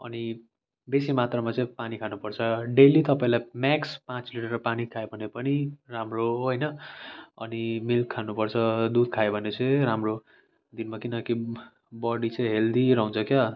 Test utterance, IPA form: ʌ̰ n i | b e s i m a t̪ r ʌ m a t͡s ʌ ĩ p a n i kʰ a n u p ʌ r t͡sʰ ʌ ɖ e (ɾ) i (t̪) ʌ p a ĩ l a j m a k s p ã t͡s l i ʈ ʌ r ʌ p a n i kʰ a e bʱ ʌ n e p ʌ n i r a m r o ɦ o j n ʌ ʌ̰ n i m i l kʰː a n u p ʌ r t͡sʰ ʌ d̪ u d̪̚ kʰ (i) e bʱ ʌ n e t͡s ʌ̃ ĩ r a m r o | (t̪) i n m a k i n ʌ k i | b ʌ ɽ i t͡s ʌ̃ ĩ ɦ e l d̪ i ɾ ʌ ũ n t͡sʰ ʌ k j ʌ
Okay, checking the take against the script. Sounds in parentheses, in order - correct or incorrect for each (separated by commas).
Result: incorrect, correct, incorrect, incorrect